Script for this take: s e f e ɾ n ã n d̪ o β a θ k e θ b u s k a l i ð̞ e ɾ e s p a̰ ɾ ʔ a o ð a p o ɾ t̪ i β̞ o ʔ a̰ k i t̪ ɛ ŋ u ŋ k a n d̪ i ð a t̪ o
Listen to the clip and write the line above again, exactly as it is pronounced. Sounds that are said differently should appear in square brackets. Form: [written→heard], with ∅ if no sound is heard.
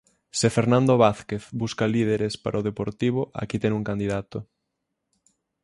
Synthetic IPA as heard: s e f e ɾ n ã n d̪ o β a θ k e θ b u s k a l i ð̞ e ɾ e s p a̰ ɾ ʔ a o ð [a→e] p o ɾ t̪ i β̞ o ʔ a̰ k i t̪ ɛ ŋ u ŋ k a n d̪ i ð a t̪ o